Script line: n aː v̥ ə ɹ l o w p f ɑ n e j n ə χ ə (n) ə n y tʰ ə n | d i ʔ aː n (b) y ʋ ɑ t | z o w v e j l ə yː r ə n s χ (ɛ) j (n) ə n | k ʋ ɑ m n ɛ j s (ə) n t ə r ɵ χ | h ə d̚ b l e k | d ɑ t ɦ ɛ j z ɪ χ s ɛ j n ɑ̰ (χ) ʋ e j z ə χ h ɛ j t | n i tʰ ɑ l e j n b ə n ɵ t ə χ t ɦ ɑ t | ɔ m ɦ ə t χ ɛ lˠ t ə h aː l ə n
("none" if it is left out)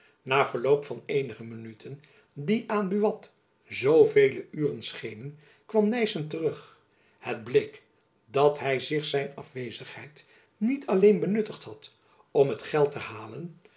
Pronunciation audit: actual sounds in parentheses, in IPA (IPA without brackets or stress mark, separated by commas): m, b, e, n, ə, f